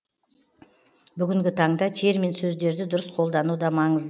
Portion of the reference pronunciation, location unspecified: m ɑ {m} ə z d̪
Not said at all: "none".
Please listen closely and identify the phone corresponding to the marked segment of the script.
ɴ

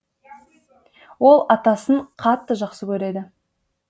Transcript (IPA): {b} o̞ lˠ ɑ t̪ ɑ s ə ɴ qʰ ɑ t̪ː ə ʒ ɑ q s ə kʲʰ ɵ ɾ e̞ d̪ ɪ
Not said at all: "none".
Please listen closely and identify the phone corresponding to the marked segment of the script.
w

